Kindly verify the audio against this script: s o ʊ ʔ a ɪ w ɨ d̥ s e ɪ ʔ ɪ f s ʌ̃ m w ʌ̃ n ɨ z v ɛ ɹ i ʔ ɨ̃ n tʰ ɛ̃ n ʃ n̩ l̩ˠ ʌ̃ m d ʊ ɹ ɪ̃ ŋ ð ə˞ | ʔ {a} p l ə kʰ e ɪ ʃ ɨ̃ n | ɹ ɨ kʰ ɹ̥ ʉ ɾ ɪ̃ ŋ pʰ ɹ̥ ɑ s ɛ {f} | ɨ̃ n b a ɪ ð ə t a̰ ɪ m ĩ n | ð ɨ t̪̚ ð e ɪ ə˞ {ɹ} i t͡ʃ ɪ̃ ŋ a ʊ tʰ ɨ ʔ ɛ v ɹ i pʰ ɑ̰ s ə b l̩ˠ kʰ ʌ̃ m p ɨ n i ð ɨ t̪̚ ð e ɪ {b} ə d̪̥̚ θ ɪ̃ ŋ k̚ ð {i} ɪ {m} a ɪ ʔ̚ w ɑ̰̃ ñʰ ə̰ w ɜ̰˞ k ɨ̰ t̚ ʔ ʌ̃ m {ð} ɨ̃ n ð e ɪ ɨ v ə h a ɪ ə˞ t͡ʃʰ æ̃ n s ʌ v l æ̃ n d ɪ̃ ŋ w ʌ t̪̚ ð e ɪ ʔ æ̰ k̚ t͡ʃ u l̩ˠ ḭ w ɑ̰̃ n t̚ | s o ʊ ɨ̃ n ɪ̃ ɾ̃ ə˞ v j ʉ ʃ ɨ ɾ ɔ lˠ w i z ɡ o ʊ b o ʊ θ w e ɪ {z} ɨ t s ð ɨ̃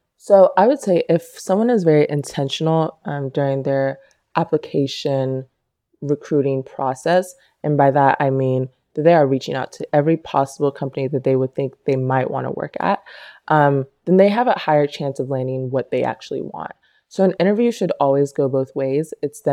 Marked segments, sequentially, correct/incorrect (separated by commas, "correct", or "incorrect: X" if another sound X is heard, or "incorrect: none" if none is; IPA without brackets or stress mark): incorrect: æ, incorrect: s, correct, incorrect: w, incorrect: e, correct, correct, correct